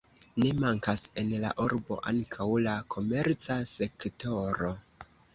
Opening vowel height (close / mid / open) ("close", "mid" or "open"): mid